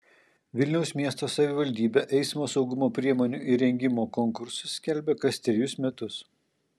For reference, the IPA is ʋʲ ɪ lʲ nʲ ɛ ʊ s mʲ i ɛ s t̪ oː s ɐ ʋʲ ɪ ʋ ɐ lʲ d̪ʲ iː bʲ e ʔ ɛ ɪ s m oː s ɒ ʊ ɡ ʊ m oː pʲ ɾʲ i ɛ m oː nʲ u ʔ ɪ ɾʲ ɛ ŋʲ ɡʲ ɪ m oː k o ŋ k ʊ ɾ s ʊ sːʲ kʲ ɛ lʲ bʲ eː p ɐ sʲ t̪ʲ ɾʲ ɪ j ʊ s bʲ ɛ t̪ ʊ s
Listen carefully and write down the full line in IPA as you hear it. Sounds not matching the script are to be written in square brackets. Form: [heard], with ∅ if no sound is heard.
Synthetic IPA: ʋʲ ɪ lʲ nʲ ɛ ʊ s mʲ i ɛ s t̪ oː s ɐ ʋʲ ɪ ʋ ɐ lʲ d̪ʲ iː bʲ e ʔ ɛ ɪ s m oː s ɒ ʊ ɡ ʊ m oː pʲ ɾʲ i ɛ m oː nʲ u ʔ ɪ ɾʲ ɛ ŋʲ ɡʲ ɪ m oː k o ŋ k ʊ ɾ s ʊ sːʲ kʲ ɛ lʲ bʲ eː [k] ɐ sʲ t̪ʲ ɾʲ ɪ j ʊ s [mʲ] ɛ t̪ ʊ s

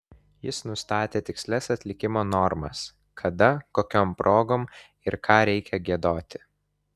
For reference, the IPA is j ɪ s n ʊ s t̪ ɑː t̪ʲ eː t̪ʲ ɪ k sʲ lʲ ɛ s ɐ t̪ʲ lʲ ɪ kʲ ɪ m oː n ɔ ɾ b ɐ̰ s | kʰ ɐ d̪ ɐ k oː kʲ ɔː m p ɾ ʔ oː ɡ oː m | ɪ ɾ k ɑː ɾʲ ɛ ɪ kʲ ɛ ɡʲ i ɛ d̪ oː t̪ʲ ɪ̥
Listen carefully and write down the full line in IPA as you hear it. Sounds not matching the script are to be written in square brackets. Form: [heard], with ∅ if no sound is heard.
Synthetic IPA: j ɪ s n ʊ s t̪ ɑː t̪ʲ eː t̪ʲ ɪ k sʲ lʲ ɛ s ɐ t̪ʲ lʲ ɪ kʲ ɪ m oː n ɔ ɾ [m] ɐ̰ s | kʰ ɐ d̪ ɐ k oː kʲ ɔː m p ɾ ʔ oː ɡ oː m | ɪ ɾ k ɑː ɾʲ ɛ ɪ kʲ ɛ ɡʲ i ɛ d̪ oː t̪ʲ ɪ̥

